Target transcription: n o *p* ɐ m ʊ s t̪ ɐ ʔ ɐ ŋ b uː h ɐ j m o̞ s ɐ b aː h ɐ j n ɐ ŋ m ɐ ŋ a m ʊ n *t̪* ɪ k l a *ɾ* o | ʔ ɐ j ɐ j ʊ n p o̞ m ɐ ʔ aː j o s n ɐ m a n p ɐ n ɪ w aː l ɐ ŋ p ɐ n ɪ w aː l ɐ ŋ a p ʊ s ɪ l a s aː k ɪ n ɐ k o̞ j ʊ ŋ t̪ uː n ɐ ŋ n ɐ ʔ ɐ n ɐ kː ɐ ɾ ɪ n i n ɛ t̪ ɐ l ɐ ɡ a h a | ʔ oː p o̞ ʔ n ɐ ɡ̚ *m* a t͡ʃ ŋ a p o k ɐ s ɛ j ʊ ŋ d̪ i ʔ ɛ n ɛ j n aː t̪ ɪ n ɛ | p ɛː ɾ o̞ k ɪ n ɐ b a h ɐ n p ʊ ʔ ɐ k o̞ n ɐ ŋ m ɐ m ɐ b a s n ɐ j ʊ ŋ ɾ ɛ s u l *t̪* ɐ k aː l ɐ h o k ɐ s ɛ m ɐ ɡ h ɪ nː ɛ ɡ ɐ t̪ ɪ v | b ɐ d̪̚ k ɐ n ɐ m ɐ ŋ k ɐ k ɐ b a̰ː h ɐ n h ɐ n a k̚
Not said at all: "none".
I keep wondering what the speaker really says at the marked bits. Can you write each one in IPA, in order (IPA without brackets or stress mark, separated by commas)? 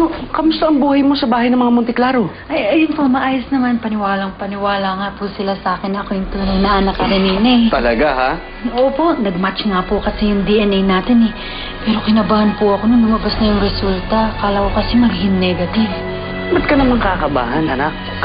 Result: k, t̪, ɾ, m, t̪